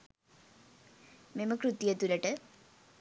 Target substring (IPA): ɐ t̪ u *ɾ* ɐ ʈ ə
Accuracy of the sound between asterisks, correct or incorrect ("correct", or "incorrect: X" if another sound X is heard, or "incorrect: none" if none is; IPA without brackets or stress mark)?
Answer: incorrect: l